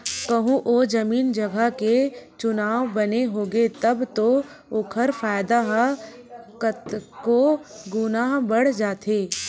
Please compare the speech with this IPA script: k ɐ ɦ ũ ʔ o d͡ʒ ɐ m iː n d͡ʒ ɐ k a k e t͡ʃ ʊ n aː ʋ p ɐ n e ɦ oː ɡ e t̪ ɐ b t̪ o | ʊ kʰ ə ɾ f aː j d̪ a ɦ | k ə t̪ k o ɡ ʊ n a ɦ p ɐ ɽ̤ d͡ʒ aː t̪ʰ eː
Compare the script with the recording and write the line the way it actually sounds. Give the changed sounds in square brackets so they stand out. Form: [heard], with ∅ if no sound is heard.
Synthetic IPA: k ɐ ɦ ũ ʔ o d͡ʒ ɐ m iː n d͡ʒ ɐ [ɡ] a k e t͡ʃ ʊ n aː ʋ [b] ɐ n e ɦ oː ɡ e t̪ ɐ b t̪ o | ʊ kʰ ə ɾ f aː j d̪ a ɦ | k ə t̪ k o ɡ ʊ n a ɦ [b] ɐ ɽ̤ d͡ʒ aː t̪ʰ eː

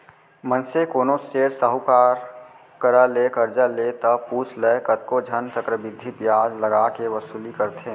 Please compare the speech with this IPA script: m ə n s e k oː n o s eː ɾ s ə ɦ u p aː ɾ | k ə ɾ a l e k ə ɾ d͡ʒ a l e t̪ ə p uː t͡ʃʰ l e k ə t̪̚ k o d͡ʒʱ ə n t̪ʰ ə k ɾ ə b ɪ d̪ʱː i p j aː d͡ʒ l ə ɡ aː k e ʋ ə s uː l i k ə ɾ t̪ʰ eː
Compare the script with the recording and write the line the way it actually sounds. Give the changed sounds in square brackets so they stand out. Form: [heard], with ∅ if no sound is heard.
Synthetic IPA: m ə n s e k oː n o s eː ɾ s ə ɦ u [k] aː ɾ | k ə ɾ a l e k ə ɾ d͡ʒ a l e t̪ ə p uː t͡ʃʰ l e k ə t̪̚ k o d͡ʒʱ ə n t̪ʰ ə k ɾ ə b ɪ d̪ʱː i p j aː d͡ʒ l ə ɡ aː k e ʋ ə s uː l i k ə ɾ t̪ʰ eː

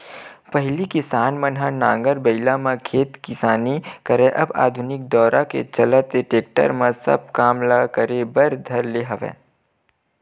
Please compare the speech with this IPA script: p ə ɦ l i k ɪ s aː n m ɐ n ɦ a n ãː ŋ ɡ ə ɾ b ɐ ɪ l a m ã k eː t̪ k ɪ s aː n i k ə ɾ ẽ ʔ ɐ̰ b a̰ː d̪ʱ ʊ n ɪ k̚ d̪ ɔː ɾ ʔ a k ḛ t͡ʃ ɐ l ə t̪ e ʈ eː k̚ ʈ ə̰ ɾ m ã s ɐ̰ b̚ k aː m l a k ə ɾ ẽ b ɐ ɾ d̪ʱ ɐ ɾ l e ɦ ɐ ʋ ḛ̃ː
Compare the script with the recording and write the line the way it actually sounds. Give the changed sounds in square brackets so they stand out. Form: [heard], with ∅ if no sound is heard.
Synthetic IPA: p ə ɦ l i k ɪ s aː n m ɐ n ɦ a n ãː ŋ ɡ ə ɾ b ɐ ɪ l a m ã [kʰ] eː t̪ k ɪ s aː n i k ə ɾ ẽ ʔ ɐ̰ b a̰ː d̪ʱ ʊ n ɪ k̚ d̪ ɔː ɾ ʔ a k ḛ t͡ʃ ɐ l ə t̪ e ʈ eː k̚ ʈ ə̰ ɾ m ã s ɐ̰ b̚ k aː m l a k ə ɾ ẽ b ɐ ɾ d̪ʱ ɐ ɾ l e ɦ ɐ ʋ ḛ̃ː

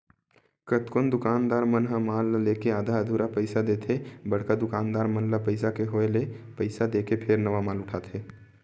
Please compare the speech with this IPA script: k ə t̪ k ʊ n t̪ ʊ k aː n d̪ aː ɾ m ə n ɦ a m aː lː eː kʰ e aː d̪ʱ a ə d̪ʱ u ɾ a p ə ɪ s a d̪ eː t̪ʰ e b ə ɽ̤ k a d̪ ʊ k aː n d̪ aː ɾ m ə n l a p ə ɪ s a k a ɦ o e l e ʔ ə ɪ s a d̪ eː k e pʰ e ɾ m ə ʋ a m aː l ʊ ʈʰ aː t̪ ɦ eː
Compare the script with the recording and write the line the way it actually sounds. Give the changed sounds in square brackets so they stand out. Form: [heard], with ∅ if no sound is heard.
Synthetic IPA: k ə t̪ k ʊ n [d̪] ʊ k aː n d̪ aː ɾ m ə n ɦ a m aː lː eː [k] e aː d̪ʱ a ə d̪ʱ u ɾ a p ə ɪ s a d̪ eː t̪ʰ e b ə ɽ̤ k a d̪ ʊ k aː n d̪ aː ɾ m ə n l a p ə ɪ s a k [e] ɦ o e l e [p] ə ɪ s a d̪ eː k e pʰ e ɾ [n] ə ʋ a m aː l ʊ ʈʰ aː t̪ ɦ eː

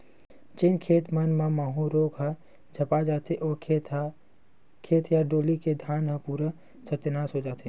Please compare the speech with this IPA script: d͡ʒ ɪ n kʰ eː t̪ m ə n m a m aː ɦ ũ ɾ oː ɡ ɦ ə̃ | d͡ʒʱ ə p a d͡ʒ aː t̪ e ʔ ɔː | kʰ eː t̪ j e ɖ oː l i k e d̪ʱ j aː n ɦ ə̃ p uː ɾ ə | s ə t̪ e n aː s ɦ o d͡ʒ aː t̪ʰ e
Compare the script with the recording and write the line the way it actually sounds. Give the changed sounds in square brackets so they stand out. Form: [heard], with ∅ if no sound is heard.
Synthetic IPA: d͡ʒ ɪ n kʰ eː t̪ m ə n m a m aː ɦ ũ ɾ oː ɡ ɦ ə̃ | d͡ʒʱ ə p a d͡ʒ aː t̪ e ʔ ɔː | kʰ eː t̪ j [a] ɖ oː l i k e d̪ʱ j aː n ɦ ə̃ p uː ɾ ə | s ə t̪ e n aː s ɦ o d͡ʒ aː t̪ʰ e

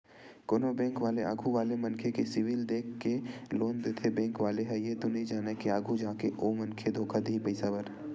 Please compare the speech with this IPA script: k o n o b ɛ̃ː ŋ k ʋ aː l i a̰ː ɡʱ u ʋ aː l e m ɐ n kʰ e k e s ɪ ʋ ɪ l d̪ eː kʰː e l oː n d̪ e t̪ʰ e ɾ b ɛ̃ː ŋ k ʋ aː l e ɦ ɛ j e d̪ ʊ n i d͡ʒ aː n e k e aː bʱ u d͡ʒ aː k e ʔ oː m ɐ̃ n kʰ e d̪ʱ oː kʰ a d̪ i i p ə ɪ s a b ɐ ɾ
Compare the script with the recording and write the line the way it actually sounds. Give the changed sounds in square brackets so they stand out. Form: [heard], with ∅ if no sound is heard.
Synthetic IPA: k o n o b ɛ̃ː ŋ k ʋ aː l [e] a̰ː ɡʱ u ʋ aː l e m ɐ n kʰ e k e s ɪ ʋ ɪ l d̪ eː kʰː e l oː n d̪ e t̪ʰ e [∅] b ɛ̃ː ŋ k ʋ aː l e ɦ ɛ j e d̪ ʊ n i d͡ʒ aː n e k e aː [ɡʱ] u d͡ʒ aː k e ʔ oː m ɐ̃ n kʰ e d̪ʱ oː kʰ a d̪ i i p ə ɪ s a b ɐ ɾ

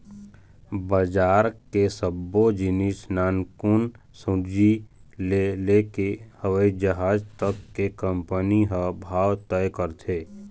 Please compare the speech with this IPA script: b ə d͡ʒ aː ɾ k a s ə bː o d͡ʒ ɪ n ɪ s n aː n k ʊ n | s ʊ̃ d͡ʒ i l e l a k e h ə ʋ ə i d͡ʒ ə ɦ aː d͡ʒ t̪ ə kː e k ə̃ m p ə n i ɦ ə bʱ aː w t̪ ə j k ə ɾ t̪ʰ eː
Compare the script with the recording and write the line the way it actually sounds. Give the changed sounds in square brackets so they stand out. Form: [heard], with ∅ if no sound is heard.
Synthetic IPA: b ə d͡ʒ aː ɾ k [e] s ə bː o d͡ʒ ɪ n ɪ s n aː n k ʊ n | s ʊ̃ d͡ʒ i l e l [e] k e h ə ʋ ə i d͡ʒ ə ɦ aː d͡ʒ t̪ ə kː e k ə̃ m p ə n i ɦ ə bʱ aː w t̪ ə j k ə ɾ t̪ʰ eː

